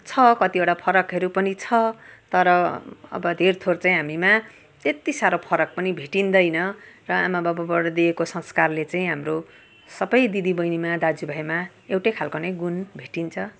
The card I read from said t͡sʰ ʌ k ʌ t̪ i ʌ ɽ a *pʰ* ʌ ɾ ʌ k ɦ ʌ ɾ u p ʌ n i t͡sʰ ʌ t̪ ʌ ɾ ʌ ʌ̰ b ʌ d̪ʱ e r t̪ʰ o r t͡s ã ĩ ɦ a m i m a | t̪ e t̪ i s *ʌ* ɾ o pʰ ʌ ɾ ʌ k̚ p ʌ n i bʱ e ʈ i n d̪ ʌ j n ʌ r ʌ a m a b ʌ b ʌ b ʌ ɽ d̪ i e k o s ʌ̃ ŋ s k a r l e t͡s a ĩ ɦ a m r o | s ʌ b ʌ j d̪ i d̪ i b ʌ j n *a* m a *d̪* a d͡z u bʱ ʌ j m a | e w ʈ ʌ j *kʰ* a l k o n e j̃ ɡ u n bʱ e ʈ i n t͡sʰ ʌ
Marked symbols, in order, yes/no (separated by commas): yes, no, no, yes, yes